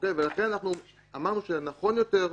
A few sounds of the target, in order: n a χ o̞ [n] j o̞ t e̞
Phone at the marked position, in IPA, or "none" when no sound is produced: n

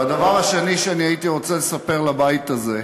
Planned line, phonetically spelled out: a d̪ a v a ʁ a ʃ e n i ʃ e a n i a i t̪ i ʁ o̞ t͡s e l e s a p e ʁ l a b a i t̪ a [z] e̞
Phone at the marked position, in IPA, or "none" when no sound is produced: z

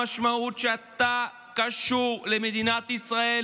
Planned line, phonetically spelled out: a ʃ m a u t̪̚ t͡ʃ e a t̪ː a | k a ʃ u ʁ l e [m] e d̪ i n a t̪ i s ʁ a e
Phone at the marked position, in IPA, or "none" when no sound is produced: m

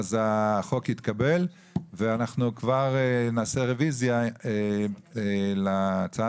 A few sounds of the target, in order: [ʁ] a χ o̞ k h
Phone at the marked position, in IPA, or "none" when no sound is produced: z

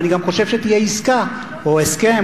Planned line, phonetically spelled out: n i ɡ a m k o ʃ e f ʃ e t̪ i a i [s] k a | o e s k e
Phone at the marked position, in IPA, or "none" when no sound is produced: s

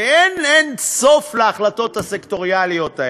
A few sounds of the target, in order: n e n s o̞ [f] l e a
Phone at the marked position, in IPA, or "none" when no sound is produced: f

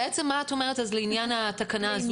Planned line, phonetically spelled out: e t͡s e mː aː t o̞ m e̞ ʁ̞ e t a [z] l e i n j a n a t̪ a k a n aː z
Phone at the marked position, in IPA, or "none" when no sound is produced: z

